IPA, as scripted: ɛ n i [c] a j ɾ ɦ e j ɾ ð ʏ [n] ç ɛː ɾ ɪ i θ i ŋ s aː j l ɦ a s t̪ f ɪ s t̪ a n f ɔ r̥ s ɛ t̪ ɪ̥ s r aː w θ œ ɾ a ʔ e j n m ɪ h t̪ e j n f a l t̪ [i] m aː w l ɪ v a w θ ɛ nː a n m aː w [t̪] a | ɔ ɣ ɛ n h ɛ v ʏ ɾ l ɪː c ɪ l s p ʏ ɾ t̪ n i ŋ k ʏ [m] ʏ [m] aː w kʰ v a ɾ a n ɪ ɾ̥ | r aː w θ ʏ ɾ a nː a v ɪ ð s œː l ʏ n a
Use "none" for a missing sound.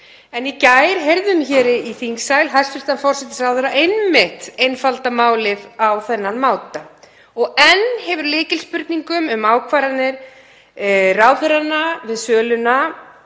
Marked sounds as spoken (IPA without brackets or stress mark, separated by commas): c, m, a, t̪, m, m